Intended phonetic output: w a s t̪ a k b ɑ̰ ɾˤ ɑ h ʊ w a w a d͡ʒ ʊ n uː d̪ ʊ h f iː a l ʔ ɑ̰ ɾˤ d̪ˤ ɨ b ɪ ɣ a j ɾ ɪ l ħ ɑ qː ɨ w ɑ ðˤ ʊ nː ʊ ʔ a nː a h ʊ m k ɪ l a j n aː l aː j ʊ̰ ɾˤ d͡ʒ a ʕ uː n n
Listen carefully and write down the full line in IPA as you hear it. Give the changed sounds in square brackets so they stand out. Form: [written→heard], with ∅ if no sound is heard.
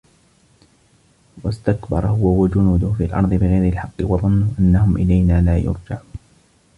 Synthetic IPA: w a s t̪ a k b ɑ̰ ɾˤ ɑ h ʊ w a w a d͡ʒ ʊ n uː d̪ ʊ h f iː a l ʔ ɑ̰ ɾˤ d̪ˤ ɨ b ɪ ɣ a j ɾ ɪ l ħ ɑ qː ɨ w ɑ ðˤ ʊ nː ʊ ʔ a nː a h ʊ m [k→ʔ] ɪ l a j n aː l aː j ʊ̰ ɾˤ d͡ʒ a ʕ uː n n